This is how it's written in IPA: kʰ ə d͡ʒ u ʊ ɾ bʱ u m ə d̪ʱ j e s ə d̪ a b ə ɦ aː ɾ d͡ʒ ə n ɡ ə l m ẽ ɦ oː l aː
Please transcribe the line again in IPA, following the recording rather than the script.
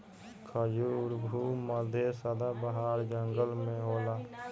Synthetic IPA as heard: kʰ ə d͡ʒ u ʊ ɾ bʱ u m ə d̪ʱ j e s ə d̪ a b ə ɦ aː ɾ d͡ʒ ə ŋ ɡ ə l m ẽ ɦ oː l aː